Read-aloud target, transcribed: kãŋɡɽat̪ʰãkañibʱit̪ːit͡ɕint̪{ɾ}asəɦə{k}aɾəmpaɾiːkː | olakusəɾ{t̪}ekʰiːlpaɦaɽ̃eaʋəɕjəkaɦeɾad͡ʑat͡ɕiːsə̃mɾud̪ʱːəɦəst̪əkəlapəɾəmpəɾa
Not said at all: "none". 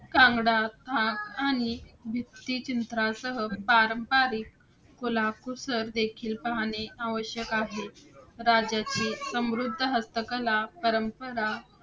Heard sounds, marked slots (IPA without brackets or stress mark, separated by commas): ɾ, p, d̪